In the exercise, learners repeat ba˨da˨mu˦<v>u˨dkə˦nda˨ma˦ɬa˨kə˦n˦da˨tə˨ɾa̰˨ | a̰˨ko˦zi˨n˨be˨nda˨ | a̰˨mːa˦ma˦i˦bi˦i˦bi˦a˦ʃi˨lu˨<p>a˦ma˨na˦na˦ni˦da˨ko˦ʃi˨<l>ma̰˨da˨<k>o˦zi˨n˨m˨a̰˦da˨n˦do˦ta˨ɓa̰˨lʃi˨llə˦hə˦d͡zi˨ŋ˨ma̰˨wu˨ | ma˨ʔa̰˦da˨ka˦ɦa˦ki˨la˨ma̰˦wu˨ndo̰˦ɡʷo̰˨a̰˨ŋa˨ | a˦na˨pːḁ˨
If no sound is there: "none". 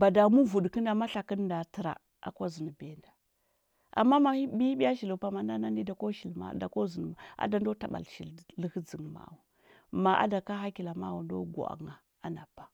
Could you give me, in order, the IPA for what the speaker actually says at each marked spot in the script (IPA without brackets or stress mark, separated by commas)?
v, p, l, k